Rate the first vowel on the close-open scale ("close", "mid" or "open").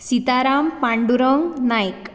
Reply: close